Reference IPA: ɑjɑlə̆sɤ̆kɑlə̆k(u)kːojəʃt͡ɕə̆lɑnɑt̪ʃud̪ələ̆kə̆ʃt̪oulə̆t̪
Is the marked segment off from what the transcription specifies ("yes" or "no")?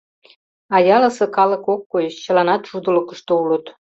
yes